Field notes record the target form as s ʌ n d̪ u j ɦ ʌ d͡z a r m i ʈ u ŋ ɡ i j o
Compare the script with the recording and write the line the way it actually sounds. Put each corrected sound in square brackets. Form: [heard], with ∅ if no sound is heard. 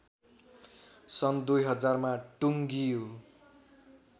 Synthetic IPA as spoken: s ʌ n d̪ u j ɦ ʌ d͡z a r m [a] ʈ u ŋ ɡ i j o

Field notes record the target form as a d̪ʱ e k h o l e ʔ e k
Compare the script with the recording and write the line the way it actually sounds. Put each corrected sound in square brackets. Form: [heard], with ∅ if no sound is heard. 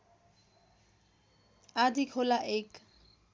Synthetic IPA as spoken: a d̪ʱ [i] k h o l [a] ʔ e k

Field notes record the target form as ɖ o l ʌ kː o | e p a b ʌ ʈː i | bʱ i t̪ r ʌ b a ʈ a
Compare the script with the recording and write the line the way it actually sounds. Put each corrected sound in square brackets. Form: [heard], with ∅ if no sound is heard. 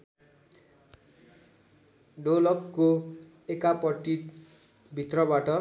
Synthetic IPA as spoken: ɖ o l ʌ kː o | e [k] a [p] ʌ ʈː i | bʱ i t̪ r ʌ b a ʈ [ʌ]

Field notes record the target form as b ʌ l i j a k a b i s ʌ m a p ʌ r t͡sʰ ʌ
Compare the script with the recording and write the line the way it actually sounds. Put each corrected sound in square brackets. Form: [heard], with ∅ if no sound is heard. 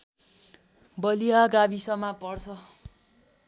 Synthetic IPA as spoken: b ʌ l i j a [ɡ] a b i s ʌ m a p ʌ r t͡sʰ ʌ

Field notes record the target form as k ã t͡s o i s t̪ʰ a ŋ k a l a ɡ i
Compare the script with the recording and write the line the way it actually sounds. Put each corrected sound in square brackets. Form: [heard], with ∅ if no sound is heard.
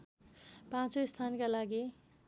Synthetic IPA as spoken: [p] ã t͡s o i s t̪ʰ a [n] k a l a ɡ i

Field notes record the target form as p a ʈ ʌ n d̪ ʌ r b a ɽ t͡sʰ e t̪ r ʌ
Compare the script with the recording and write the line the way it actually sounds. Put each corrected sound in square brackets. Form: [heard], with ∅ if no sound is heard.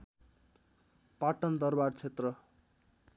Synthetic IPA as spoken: p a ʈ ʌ n d̪ ʌ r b a [r] t͡sʰ e t̪ r ʌ

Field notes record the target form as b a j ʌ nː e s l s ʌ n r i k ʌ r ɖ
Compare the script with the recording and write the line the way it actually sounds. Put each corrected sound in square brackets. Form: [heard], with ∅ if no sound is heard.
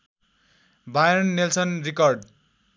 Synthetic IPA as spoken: b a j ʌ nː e [∅] l s ʌ n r i k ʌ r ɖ

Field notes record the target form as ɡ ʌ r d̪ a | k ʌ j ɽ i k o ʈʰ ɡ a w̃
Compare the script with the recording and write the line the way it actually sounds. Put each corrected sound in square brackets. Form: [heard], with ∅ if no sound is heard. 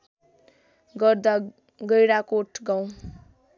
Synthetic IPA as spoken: ɡ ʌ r d̪ a | [ɡ] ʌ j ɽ [a] k o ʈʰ ɡ a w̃

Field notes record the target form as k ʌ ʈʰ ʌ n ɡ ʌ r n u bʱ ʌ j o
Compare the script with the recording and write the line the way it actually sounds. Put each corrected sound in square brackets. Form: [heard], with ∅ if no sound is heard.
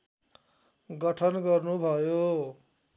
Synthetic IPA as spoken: [ɡ] ʌ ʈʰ ʌ n ɡ ʌ r n u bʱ ʌ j o

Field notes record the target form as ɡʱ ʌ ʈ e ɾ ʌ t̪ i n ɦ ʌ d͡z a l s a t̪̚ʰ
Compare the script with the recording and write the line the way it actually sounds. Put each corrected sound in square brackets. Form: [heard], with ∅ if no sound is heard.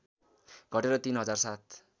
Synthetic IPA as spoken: ɡʱ ʌ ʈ e ɾ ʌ t̪ i n ɦ ʌ d͡z a [r] s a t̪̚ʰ

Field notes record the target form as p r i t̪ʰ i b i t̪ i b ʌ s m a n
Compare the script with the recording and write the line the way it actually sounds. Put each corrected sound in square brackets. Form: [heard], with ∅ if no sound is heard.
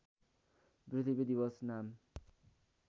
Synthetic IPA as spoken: [b] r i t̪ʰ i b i [d̪] i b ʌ s [n] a [m]

